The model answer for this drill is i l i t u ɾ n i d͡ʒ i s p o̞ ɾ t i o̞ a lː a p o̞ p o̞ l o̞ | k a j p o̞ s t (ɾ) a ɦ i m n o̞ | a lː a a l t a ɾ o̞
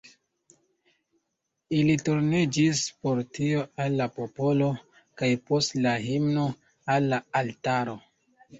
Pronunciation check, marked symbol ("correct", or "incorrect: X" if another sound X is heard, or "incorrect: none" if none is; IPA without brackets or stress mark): incorrect: l